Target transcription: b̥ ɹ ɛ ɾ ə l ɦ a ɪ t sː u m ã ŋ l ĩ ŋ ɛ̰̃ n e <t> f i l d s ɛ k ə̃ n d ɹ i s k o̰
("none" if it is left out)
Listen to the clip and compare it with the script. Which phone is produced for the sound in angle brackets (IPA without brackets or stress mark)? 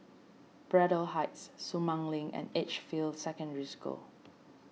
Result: t͡ʃ